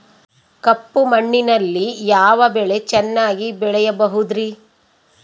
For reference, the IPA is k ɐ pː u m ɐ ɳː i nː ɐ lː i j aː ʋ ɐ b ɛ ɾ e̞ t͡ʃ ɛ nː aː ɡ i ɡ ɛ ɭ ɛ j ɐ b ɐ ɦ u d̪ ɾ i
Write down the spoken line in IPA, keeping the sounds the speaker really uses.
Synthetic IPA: k ɐ pː u m ɐ ɳː i n ɐ lː i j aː ʋ ɐ b ɛ ɭ e̞ t͡ʃ ɛ nː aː ɡ i b ɛ ɭ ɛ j ɐ b ɐ ɦ u d̪ ɾ i